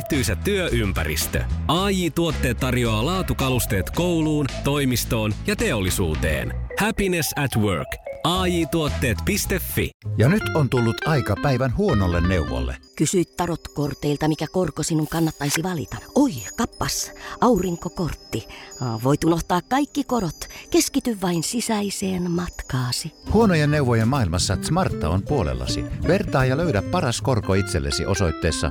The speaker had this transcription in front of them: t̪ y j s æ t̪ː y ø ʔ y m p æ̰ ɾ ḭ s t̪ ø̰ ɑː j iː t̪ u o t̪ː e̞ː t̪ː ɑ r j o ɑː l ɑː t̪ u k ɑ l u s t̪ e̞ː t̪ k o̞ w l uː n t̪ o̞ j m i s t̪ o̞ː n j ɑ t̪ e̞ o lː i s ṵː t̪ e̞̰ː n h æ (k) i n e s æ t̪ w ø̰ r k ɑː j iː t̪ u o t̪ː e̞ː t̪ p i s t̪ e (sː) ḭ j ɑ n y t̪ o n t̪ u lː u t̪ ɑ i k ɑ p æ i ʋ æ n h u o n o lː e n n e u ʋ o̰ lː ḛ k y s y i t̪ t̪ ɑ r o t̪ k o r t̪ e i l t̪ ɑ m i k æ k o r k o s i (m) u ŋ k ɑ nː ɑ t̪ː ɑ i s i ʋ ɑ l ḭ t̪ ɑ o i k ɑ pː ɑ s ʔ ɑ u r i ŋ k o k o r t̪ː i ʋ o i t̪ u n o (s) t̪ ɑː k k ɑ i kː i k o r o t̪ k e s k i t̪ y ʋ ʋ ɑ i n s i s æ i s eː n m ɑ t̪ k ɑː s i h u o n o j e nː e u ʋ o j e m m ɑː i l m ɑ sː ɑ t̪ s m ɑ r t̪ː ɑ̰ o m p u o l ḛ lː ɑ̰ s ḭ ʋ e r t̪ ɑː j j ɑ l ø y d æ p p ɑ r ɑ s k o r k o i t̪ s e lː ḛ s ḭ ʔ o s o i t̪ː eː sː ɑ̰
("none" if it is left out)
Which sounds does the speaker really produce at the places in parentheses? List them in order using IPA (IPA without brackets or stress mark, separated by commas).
p, fː, n, h